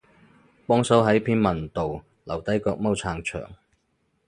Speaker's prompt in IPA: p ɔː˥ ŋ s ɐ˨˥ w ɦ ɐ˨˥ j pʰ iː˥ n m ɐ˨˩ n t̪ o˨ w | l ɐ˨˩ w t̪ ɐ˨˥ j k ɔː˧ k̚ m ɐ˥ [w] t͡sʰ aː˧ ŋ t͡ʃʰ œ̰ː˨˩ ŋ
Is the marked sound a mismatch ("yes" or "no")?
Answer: no